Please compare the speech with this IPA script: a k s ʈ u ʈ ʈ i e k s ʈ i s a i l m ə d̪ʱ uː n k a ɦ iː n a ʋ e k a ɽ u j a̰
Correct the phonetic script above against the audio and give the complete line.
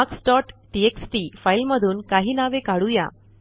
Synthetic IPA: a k s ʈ ɔ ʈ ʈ i e k s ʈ i f a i l m ə d̪ʱ uː n k a ɦ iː n a ʋ e k a ɽ u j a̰

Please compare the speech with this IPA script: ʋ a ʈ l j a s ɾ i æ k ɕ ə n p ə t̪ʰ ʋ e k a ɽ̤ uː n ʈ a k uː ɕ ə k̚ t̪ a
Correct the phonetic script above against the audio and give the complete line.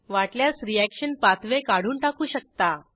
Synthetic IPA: ʋ a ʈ l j a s ɾ i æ k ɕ ə n p a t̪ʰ ʋ e k a ɽ̤ uː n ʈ a k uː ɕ ə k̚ t̪ a

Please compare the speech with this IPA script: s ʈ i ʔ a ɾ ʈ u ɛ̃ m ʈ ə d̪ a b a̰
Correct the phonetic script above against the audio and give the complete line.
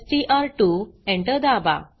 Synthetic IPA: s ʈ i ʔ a ɾ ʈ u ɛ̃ ɳ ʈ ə d̪ a b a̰

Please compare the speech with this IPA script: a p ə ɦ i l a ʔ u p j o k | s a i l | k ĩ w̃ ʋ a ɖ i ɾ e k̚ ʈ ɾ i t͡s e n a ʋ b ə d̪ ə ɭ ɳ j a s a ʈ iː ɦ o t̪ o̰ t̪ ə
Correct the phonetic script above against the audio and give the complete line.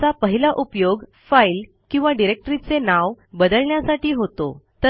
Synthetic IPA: a p ə ɦ i l a ʔ u p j o ɡ | f a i l | k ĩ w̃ ʋ a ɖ i ɾ e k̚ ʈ ɾ i t͡s e n a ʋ b ə d̪ ə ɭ ɳ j a s a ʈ iː ɦ o t̪ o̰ t̪ ə

